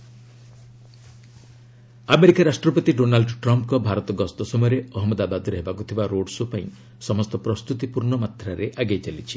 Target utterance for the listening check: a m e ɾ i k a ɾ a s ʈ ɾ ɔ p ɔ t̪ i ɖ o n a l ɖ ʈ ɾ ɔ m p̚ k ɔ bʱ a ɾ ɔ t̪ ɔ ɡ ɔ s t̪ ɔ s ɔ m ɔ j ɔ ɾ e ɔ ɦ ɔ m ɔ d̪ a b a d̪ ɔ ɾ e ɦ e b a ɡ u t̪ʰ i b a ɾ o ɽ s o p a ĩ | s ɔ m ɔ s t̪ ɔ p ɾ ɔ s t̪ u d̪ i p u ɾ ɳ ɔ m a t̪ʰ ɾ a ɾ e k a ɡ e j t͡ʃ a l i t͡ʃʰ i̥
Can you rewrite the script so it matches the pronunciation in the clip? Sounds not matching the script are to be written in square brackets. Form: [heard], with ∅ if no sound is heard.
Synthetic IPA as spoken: a m e ɾ i k a ɾ a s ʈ ɾ ɔ p ɔ t̪ i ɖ o n a l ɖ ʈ ɾ ɔ m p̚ k ɔ bʱ a ɾ ɔ t̪ ɔ ɡ ɔ s t̪ ɔ s ɔ m ɔ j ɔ ɾ e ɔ ɦ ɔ m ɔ d̪ a b a d̪ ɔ ɾ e ɦ e b a [k] u t̪ʰ i b a ɾ o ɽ s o p a ĩ | s ɔ m ɔ s t̪ ɔ p ɾ ɔ s t̪ u [t̪] i p u ɾ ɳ ɔ m a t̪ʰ ɾ a ɾ e [ʔ] a ɡ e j t͡ʃ a l i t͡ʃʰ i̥